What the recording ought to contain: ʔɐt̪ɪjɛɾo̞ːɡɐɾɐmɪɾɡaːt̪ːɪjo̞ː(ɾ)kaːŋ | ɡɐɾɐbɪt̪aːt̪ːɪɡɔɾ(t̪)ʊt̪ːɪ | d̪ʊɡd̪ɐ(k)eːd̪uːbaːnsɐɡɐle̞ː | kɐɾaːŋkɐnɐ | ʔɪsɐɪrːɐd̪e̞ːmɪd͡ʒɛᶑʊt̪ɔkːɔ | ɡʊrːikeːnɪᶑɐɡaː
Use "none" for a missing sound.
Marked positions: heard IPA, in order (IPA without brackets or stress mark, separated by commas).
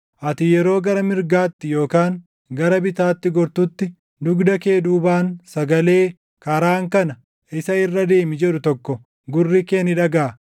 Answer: none, t̪, k